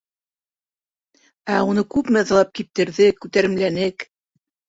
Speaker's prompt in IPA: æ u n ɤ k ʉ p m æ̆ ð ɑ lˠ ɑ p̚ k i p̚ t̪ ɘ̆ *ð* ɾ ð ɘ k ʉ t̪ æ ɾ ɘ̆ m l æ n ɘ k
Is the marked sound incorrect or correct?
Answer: incorrect: none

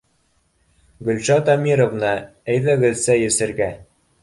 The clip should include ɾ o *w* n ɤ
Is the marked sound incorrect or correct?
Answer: incorrect: v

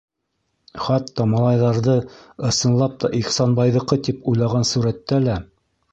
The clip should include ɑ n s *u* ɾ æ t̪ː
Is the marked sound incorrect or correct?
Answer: correct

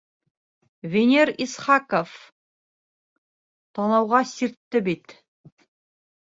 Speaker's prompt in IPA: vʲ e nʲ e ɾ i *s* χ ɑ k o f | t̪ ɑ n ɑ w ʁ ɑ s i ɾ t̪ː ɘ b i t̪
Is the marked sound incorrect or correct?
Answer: correct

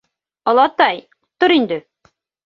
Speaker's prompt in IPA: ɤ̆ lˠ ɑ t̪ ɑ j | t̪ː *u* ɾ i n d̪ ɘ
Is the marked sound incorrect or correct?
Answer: incorrect: o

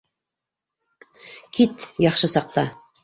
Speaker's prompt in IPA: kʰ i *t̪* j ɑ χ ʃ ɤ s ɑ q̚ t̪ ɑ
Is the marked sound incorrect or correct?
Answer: correct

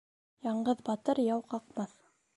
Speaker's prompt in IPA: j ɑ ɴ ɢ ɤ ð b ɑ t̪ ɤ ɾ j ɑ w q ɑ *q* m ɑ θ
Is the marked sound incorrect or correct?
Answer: correct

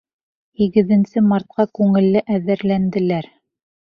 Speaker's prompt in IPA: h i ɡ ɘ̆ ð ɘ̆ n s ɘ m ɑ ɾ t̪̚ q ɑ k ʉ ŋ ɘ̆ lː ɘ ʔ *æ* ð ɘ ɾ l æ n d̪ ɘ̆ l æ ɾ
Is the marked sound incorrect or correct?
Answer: correct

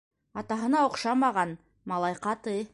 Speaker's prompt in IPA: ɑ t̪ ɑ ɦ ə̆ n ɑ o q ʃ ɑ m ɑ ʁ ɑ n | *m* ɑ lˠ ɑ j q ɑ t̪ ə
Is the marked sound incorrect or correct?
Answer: correct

